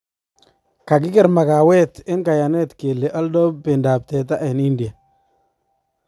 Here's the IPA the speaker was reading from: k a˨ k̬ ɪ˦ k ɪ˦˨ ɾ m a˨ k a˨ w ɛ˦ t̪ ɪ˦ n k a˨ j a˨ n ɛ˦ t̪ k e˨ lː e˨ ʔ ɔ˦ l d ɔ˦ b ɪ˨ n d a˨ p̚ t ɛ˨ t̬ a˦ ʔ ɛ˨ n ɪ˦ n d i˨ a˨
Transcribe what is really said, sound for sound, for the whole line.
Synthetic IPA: k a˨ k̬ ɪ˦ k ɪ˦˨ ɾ m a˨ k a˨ w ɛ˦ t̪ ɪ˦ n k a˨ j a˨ n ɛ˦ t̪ k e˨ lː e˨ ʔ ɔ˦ l d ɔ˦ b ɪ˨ n d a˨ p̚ t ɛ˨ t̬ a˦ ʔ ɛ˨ n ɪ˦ n d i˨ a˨